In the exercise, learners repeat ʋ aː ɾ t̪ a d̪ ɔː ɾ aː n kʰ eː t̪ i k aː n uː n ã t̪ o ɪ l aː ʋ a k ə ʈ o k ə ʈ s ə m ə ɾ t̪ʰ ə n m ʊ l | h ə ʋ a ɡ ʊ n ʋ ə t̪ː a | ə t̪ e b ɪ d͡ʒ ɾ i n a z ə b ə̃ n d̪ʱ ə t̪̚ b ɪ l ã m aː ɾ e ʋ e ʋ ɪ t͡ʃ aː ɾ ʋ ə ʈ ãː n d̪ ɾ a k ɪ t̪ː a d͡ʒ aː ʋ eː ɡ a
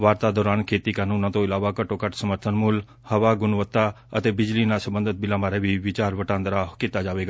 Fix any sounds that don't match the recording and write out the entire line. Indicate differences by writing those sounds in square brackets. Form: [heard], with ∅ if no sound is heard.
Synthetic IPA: ʋ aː ɾ t̪ a d̪ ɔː ɾ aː n kʰ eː t̪ i k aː n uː n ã t̪ o ɪ l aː ʋ a k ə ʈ o k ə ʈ s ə m ə ɾ t̪ʰ ə n m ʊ l | h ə ʋ a ɡ ʊ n ʋ ə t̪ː a | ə t̪ e b ɪ d͡ʒ [l] i n a [s] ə b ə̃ n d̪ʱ ə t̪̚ b ɪ l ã m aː ɾ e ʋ [i] ʋ ɪ t͡ʃ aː ɾ ʋ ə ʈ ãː n d̪ ɾ a k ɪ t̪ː a d͡ʒ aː ʋ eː ɡ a